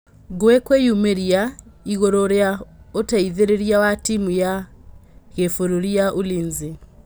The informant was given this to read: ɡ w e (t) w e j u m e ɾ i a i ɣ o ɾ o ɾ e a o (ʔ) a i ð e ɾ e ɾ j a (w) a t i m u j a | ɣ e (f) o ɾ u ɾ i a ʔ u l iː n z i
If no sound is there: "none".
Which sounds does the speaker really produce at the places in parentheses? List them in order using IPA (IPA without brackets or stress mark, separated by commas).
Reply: k, t, w, f